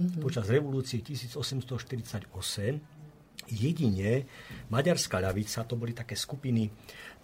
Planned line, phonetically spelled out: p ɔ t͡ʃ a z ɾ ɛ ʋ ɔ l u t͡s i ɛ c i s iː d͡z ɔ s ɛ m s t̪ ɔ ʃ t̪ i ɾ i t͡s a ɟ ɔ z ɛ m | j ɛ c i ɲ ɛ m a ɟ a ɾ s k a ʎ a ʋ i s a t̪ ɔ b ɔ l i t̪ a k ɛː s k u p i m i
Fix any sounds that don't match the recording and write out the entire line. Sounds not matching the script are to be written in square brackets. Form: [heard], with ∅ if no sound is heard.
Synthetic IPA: p ɔ t͡ʃ a z ɾ ɛ ʋ ɔ l [uː] t͡s i ɛ c i s iː d͡z ɔ s ɛ m s t̪ ɔ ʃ t̪ i ɾ i t͡s a ɟ ɔ [s] ɛ m | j ɛ [ɟ] i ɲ ɛ m a ɟ a ɾ s k a ʎ a ʋ i [t͡s] a t̪ ɔ b ɔ l i t̪ a k ɛː s k u p i [n] i